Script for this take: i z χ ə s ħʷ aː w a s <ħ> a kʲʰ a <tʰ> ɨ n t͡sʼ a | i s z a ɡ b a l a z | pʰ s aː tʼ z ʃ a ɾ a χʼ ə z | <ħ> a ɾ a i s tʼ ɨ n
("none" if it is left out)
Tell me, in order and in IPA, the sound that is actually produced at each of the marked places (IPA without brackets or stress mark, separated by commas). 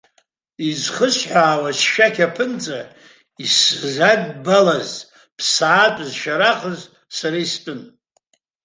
ʃ, pʰ, s